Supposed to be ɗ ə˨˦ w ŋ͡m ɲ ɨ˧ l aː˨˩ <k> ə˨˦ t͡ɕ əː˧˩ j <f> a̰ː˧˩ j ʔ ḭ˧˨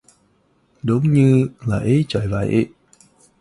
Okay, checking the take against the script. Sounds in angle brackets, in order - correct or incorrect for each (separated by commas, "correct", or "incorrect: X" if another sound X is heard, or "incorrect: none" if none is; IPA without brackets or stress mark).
incorrect: ʔ, incorrect: v